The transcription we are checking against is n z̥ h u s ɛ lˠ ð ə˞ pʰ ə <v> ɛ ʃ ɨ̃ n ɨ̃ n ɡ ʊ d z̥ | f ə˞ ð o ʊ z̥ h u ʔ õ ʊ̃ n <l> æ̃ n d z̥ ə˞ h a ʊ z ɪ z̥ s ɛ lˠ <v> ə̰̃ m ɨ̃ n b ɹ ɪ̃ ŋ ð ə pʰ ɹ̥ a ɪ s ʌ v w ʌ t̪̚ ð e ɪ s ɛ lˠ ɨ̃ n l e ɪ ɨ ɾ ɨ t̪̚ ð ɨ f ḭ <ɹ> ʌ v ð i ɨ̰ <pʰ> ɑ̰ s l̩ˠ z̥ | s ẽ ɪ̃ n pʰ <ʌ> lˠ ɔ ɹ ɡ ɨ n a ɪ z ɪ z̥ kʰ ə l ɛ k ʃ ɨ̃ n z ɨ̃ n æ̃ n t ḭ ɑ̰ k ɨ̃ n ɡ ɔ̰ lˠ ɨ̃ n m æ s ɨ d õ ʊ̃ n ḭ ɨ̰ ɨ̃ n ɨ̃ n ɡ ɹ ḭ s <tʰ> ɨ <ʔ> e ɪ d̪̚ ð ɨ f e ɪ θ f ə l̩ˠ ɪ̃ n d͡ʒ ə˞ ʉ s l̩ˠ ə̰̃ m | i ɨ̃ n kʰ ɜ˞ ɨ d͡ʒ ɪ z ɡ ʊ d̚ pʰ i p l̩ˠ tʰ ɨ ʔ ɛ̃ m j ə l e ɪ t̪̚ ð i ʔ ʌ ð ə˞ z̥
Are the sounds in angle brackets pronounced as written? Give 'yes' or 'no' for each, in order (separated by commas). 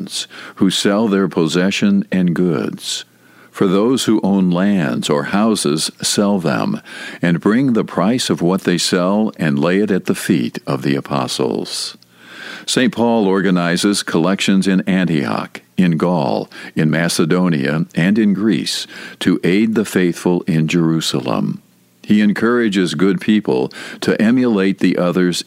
no, yes, no, no, yes, no, yes, yes